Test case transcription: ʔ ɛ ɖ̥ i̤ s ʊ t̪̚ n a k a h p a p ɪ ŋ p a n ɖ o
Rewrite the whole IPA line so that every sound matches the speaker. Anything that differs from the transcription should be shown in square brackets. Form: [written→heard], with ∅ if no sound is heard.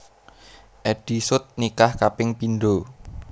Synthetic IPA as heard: ʔ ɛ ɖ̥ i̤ s ʊ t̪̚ n [a→i] k a h [p→k] a p ɪ ŋ p [a→i] n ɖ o